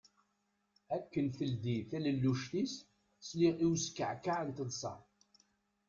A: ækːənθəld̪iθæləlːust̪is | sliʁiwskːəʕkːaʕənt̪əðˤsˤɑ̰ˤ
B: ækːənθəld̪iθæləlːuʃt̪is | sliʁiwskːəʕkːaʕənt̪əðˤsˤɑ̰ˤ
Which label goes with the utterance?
B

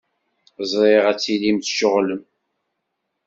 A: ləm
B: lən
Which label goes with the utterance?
A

